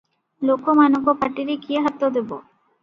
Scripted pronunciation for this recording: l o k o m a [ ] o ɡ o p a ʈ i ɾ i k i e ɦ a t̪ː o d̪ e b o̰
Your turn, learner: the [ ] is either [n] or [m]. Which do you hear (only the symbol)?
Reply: n